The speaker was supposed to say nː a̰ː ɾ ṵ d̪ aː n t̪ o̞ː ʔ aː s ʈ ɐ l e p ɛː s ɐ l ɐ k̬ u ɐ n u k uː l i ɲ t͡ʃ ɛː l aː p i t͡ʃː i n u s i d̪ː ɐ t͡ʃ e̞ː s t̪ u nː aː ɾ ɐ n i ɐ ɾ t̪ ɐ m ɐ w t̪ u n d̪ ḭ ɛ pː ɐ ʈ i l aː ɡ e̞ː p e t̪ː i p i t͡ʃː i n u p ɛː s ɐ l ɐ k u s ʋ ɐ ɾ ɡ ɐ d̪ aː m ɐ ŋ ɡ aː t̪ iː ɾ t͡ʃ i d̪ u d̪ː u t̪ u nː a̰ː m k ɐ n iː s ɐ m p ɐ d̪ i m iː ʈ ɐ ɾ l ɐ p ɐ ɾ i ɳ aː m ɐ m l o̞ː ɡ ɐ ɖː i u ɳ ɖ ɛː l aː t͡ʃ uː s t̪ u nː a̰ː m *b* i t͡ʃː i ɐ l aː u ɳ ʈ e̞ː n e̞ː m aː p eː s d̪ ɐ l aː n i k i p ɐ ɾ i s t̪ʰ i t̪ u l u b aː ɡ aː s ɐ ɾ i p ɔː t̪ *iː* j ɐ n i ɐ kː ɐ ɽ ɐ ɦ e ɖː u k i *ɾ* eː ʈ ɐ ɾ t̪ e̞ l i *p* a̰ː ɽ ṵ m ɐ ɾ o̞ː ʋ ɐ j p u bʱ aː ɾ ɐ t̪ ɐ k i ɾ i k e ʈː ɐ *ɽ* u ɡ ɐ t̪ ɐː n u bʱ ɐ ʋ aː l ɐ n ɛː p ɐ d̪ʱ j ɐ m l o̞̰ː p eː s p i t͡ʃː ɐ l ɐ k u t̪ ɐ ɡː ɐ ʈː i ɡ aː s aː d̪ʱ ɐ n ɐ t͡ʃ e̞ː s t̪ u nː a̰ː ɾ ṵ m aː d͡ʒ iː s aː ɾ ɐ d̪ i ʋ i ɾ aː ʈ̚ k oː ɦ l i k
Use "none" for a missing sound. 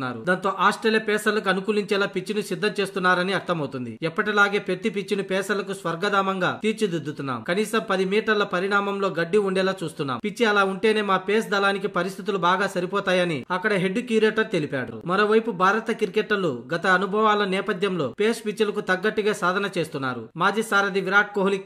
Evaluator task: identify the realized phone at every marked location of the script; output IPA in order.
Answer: p, aː, ɾ, p, l

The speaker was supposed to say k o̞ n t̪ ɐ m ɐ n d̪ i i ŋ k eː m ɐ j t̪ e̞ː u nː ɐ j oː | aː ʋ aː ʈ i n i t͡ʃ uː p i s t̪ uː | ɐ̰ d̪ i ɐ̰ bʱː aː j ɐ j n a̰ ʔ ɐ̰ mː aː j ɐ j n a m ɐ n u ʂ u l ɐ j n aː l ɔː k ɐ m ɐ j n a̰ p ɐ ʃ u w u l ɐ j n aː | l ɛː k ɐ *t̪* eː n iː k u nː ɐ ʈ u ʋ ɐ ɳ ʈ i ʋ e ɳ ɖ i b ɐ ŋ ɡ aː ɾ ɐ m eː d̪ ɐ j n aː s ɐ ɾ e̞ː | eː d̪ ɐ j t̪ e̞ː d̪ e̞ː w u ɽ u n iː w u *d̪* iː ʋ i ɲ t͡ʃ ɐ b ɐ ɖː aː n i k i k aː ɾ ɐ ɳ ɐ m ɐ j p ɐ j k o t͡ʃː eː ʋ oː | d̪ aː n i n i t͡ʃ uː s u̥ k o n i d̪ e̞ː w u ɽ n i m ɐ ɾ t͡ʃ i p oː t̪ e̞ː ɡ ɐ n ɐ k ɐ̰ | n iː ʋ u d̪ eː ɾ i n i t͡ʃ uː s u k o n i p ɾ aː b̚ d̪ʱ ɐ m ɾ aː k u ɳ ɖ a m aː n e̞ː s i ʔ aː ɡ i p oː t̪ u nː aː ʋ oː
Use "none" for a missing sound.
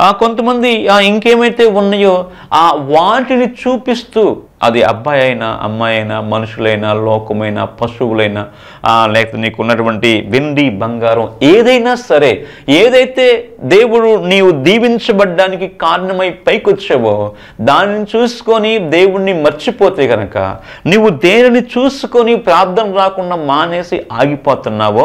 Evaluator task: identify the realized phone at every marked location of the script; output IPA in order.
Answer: t̪, d̪

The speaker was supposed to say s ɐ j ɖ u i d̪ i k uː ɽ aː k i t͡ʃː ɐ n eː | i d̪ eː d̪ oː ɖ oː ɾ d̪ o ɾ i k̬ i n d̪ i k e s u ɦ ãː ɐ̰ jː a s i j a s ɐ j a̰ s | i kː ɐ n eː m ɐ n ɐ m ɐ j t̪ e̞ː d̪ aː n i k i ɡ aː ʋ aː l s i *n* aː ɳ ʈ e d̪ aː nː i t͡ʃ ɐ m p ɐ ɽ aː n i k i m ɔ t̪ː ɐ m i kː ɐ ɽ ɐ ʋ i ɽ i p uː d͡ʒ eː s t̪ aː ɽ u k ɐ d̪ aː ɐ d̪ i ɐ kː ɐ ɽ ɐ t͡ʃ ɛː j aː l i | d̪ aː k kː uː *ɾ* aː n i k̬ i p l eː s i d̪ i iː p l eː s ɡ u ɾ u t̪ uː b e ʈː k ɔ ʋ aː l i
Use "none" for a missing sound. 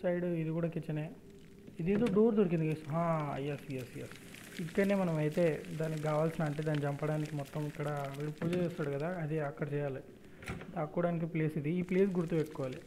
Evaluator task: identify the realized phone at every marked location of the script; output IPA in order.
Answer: n, ɽ

